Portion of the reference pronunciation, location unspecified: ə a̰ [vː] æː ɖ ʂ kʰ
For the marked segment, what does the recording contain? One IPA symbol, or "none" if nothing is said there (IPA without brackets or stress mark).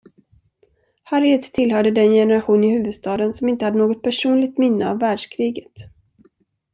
vː